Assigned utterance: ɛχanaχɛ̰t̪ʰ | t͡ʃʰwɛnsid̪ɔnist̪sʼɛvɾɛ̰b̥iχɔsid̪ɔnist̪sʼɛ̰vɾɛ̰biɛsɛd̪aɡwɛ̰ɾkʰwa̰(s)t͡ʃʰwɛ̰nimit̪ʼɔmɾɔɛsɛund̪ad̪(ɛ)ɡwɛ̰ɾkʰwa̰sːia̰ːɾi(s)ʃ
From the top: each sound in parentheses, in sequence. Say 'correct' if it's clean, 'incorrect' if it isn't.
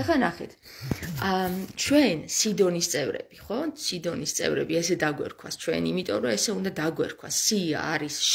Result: correct, incorrect: a, correct

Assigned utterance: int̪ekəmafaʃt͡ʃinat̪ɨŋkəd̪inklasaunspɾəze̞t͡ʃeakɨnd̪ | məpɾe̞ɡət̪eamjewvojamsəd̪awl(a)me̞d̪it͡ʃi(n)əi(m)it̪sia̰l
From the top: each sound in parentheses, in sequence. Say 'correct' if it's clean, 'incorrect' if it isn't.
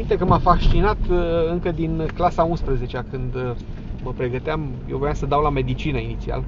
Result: correct, correct, incorrect: n

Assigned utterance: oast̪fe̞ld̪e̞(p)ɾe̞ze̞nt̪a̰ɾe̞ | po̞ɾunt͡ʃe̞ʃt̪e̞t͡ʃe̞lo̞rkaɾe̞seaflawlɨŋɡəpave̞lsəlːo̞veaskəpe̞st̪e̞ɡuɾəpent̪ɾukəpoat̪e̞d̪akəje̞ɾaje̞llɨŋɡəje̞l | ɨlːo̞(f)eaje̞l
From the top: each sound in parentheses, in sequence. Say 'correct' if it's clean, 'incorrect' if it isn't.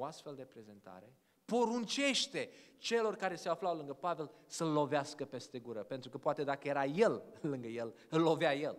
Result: correct, incorrect: v

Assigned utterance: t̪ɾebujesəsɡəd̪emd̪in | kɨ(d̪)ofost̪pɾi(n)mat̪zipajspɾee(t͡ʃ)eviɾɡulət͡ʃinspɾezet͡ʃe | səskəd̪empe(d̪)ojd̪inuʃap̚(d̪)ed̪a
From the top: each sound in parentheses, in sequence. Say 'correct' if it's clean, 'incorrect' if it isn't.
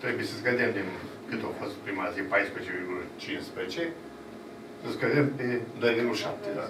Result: incorrect: t̪, incorrect: none, correct, correct, incorrect: t̪

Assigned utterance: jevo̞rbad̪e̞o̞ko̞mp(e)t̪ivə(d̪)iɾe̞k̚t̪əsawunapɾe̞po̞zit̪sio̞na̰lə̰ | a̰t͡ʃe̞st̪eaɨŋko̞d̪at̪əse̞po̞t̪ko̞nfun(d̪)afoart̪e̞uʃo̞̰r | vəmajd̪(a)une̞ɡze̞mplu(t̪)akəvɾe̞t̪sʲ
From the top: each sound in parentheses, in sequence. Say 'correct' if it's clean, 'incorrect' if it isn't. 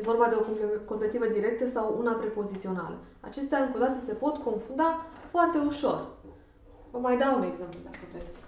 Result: correct, correct, correct, correct, incorrect: d̪

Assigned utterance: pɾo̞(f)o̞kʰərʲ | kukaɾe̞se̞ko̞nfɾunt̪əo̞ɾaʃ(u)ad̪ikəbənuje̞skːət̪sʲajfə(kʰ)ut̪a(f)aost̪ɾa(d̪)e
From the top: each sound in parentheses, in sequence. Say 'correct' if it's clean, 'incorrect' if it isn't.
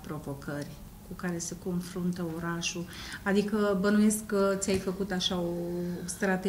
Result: incorrect: v, correct, incorrect: k, incorrect: ʃ, incorrect: t̪

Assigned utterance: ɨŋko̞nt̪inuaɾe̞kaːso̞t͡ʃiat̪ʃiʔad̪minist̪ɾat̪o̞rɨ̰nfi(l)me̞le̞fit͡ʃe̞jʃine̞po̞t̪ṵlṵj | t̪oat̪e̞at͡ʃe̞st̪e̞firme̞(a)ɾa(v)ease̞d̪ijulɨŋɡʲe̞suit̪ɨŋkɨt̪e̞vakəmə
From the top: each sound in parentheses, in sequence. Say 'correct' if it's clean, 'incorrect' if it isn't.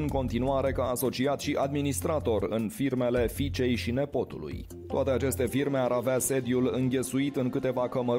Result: incorrect: r, correct, correct

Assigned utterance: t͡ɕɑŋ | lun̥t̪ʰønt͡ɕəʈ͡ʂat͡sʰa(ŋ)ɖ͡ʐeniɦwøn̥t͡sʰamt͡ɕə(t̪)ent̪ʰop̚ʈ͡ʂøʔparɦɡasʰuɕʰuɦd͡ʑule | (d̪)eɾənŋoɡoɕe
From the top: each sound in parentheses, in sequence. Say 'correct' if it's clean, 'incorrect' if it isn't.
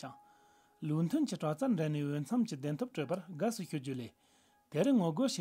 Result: incorrect: ɳ, incorrect: d̪, incorrect: t̪

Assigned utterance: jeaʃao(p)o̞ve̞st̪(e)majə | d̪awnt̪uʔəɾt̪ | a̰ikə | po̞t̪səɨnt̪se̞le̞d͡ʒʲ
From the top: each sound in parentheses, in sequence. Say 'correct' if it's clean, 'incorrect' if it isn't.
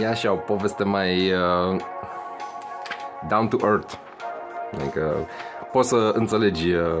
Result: correct, correct

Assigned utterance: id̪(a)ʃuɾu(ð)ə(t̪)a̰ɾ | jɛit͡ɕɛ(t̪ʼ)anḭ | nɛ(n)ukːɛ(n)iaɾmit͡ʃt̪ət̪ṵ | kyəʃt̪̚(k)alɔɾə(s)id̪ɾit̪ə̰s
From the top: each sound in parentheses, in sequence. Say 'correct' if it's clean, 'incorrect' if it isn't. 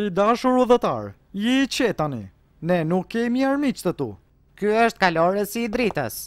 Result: correct, correct, correct, incorrect: t̪, correct, incorrect: m, correct, correct

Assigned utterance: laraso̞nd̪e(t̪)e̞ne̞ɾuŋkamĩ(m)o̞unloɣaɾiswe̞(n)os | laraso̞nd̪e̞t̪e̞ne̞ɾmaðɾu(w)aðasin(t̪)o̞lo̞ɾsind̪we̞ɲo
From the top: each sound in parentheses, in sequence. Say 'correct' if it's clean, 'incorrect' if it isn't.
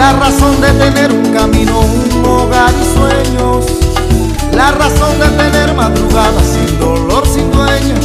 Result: correct, incorrect: n, incorrect: ɲ, incorrect: ɣ, incorrect: d̪

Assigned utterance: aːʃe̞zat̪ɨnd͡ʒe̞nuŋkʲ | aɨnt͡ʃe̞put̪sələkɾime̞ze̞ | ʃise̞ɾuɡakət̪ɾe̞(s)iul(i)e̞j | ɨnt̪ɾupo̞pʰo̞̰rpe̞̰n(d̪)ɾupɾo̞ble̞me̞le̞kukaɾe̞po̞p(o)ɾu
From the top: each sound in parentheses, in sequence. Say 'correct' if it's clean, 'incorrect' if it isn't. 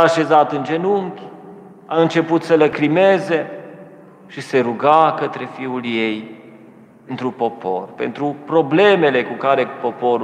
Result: incorrect: f, incorrect: j, incorrect: t̪, correct

